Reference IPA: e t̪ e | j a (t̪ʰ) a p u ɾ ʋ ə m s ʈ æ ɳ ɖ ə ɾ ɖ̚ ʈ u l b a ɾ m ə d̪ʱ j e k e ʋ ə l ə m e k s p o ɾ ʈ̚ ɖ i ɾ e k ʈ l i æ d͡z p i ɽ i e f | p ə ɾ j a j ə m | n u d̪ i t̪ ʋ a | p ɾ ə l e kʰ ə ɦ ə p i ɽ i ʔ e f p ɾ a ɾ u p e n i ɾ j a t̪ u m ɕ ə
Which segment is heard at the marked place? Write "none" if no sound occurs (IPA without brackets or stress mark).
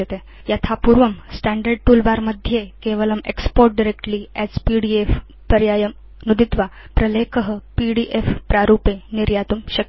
t̪ʰ